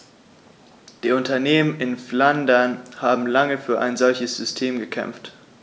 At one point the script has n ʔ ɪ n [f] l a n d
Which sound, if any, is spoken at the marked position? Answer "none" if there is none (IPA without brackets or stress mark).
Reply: f